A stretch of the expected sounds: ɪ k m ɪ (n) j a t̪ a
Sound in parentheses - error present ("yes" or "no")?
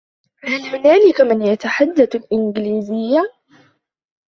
no